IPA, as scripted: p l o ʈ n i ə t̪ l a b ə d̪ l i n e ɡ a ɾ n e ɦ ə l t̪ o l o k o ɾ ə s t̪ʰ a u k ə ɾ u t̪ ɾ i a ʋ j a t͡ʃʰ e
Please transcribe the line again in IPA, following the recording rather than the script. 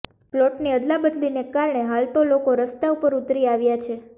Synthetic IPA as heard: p l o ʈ n i ə d̪ l a b ə d̪ l i n e k a ɾ ɳ e ɦ a l t̪ o l o k o ɾ ə s t̪ a u p ə ɾ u t̪ ɾ i a ʋ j a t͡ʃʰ e

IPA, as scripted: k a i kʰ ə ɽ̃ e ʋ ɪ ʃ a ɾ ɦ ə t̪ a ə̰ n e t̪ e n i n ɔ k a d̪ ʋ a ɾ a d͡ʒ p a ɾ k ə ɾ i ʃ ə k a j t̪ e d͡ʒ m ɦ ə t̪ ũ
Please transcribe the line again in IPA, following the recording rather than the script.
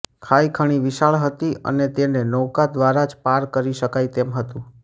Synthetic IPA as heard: kʰ a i kʰ ə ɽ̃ i ʋ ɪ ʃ a ɭ ɦ ə t̪ i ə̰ n e t̪ e n e n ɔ k a d̪ ʋ a ɾ a d͡ʒ p a ɾ k ə ɾ i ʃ ə k a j t̪ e m ɦ ə t̪ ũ

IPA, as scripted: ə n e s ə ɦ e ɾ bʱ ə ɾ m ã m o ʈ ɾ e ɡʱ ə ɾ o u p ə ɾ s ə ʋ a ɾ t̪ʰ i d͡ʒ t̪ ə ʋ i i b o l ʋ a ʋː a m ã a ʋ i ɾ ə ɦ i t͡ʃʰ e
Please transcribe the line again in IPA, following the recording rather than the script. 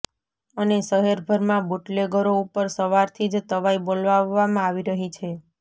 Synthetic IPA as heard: ə n e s ə ɦ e ɾ bʱ ə ɾ m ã b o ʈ l e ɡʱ ə ɾ o u p ə ɾ s ə ʋ a ɾ t̪ʰ i d͡ʒ t̪ ə ʋ a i b o l ʋ a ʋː a m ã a ʋ i ɾ ə ɦ i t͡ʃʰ e

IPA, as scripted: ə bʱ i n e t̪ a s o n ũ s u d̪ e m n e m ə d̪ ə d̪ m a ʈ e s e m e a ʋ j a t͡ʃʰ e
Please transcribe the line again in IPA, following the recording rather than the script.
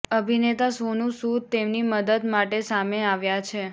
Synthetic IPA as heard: ə bʱ i n e t̪ a s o n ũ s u t̪ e m n i m ə d̪ ə d̪ m a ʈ e s a m e a ʋ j a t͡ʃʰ e

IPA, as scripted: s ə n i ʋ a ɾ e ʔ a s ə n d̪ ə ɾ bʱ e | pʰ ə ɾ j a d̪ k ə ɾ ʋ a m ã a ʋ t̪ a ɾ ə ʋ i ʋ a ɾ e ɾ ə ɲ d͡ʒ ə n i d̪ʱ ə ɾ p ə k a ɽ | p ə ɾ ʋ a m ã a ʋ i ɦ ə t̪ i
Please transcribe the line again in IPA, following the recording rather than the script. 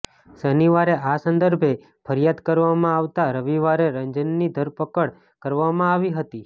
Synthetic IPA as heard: s ə n i ʋ a ɾ e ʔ a s ə n d̪ ə ɾ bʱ e | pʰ ə ɾ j a d̪ k ə ɾ ʋ a m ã a ʋ t̪ a ɾ ə ʋ i ʋ a ɾ e ɾ ə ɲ d͡ʒ ə nː i d̪ʱ ə ɾ p ə k ə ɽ | k ə ɾ ʋ a m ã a ʋ i ɦ ə t̪ i

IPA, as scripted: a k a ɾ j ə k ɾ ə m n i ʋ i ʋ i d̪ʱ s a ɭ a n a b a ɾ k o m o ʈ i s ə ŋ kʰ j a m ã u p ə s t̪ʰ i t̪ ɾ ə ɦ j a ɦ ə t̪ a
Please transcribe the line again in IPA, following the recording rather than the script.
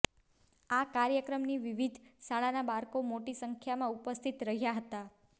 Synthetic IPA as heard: a k a ɾ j ə k ɾ ə m n i ʋ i ʋ i d̪ʱ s a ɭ a n a b a ɾ k o m o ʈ i s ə ŋ kʰ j a m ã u p ə s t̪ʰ i t̪ ɾ ə ɦ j a ɦ ə t̪ a

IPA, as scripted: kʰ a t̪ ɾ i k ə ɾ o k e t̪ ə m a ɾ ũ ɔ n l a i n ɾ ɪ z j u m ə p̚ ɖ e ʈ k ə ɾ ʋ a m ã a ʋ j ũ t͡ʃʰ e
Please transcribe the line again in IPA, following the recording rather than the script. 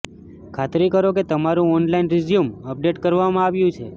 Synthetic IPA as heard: kʰ a t̪ ɾ i k ə ɾ o k e t̪ ə m a ɾ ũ ɔ n l a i n ɾ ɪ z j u m ə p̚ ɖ e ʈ k ə ɾ ʋ a m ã a ʋ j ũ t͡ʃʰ e

